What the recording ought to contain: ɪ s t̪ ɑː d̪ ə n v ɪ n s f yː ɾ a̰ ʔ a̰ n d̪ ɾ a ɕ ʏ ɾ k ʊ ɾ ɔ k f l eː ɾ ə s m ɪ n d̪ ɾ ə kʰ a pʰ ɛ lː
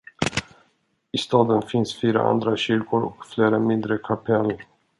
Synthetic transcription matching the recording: ɪ s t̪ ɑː d̪ ə n f ɪ n s f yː ɾ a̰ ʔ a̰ n d̪ ɾ a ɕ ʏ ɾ k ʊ ɾ ɔ k f l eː ɾ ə m ɪ n d̪ ɾ ə kʰ a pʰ ɛ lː